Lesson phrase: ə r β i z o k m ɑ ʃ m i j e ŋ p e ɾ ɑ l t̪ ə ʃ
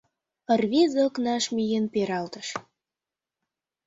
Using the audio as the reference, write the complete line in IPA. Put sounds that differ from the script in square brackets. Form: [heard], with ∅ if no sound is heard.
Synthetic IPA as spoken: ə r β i z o k [n] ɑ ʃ m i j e [n] p e ɾ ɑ l t̪ ə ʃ